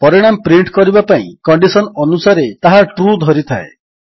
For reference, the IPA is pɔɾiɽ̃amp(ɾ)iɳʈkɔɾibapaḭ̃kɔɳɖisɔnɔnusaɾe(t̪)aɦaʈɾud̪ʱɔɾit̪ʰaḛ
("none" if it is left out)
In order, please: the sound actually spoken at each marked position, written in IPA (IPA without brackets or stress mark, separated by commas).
ɾ, t̪